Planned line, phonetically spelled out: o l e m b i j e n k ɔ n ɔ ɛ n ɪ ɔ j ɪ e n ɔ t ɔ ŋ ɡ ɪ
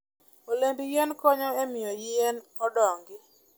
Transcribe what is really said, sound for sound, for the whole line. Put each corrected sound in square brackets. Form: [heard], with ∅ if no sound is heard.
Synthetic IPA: o l e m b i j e n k ɔ [ɲ] ɔ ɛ [m] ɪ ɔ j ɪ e n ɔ [d] ɔ ŋ ɡ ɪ